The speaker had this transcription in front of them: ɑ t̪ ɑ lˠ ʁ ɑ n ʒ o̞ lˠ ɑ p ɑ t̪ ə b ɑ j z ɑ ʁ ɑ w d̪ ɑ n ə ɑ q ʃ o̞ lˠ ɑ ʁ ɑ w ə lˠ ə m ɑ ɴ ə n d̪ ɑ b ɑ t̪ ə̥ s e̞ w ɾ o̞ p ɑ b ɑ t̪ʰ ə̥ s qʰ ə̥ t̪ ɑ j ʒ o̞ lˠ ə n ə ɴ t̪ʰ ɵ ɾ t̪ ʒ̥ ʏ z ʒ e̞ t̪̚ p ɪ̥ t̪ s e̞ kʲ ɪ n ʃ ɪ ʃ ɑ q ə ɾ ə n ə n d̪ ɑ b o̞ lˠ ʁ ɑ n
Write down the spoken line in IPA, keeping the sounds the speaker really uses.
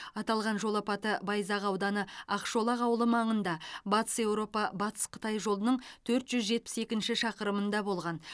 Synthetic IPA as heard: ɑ t̪ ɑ lˠ ʁ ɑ n ʒ o̞ lˠ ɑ p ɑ t̪ ə b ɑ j z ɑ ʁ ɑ w d̪ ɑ n ə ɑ q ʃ o̞ lˠ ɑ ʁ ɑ w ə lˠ ə m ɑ ɴ ə n d̪ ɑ b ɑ t̪ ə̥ s e̞ w ɾ o̞ p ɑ b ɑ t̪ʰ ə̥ s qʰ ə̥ t̪ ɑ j ʒ o̞ lˠ ə n ə ɴ t̪ʰ ɵ ɾ t̪ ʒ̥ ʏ z ʒ e̞ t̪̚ p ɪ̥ s e̞ kʲ ɪ n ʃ ɪ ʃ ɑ q ə ɾ ə m ə n d̪ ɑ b o̞ lˠ ʁ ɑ n